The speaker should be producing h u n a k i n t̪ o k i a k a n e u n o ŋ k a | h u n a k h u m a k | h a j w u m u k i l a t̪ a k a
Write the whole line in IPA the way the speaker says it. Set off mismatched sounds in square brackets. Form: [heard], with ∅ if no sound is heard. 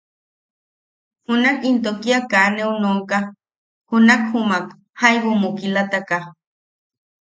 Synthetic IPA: h u n a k i n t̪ o k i a k a n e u n o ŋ k a | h u n a k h u m a k | h a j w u m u k i l a t̪ a k a